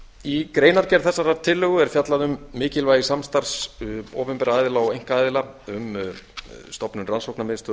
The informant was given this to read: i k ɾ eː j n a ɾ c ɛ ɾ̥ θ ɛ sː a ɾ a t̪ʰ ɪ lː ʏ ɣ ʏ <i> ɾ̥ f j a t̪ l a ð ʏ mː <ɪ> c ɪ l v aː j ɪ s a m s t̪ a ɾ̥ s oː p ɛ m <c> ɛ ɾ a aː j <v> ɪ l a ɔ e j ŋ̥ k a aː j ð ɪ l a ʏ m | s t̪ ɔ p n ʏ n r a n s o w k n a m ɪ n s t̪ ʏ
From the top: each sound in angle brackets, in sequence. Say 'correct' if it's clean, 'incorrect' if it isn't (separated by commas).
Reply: incorrect, incorrect, incorrect, incorrect